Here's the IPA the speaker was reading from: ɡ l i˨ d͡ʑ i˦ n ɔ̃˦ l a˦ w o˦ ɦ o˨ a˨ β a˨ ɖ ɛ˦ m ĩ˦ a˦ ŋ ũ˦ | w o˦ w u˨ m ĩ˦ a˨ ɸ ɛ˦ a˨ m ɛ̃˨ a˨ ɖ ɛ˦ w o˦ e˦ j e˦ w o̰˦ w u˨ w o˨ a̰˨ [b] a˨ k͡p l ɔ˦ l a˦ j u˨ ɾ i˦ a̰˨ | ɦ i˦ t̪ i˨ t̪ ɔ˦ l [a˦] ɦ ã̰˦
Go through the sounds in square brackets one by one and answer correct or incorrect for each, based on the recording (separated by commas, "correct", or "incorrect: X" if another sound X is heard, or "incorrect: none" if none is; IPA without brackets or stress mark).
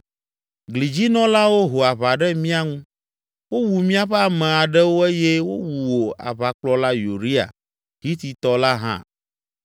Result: incorrect: β, correct